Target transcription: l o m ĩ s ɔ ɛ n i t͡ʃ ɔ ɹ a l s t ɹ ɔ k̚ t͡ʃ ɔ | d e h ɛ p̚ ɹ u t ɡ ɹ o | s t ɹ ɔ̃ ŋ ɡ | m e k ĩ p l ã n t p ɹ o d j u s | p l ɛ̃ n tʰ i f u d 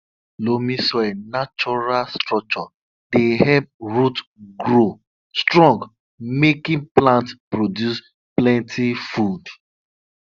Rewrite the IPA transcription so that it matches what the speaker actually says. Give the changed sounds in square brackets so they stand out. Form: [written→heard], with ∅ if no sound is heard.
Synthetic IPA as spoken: l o m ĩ s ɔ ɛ n [i→a] t͡ʃ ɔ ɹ a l s t ɹ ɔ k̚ t͡ʃ ɔ | d e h ɛ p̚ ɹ u t ɡ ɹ o | s t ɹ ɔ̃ ŋ ɡ | m e k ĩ p l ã n t p ɹ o d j u s | p l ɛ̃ n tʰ i f u d